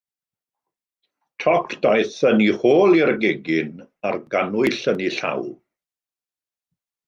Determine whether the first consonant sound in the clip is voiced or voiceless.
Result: voiceless